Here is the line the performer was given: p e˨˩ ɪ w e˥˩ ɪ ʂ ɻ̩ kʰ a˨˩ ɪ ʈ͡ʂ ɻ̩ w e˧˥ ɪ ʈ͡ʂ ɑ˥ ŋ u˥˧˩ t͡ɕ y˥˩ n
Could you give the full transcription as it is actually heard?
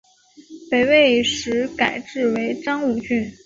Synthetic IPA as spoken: p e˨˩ ɪ w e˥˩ ɪ ʂ ɻ̩ k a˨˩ ɪ ʈ͡ʂ ɻ̩ w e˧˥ ɪ ʈ͡ʂ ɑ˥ ŋ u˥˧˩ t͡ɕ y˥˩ n

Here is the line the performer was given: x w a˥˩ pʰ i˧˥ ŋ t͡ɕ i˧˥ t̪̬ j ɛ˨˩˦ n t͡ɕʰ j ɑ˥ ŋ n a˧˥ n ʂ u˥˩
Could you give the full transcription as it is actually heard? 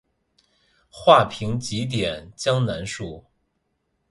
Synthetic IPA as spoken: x w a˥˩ pʰ i˧˥ ŋ t͡ɕ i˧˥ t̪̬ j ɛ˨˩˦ n t͡ɕ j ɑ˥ ŋ n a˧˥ n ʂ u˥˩

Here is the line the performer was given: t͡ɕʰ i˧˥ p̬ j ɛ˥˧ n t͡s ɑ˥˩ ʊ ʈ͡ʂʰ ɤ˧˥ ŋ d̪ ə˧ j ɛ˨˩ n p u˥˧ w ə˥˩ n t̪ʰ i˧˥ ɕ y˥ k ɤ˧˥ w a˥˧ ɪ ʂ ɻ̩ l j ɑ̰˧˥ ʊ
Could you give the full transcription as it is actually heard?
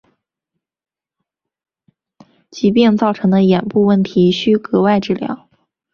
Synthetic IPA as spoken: t͡ɕ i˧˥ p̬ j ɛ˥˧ n t͡s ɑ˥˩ ʊ ʈ͡ʂʰ ɤ˧˥ ŋ d̪ ə˧ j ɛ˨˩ n p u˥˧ w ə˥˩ n t̪ʰ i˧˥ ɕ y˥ k ɤ˧˥ w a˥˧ ɪ ʈ͡ʂ ɻ̩ l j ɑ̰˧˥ ʊ

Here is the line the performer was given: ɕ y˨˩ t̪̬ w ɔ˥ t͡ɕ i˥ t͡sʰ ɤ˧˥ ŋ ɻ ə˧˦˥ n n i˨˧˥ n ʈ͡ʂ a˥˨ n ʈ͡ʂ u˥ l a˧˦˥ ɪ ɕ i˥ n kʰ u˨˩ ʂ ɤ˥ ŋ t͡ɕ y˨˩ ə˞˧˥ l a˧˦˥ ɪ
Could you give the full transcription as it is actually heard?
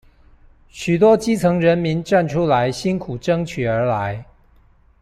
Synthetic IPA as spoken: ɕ y˨˩ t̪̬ w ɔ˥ t͡ɕ i˥ t͡sʰ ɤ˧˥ ŋ ɻ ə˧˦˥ n m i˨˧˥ n ʈ͡ʂ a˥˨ n ʈ͡ʂʰ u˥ l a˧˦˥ ɪ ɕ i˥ n kʰ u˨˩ ʈ͡ʂ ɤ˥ ŋ t͡ɕʰ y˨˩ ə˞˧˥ l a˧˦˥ ɪ

